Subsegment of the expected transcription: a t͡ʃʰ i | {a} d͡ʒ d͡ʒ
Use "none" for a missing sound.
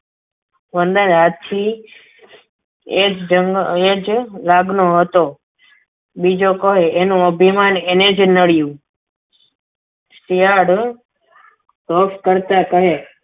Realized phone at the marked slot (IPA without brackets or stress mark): e